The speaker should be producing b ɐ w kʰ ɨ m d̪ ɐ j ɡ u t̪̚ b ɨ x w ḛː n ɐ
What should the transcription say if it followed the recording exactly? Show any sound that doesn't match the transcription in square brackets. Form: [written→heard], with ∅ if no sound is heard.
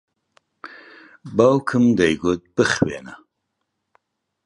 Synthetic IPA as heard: b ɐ w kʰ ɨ m d̪ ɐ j ɡ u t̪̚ b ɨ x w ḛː n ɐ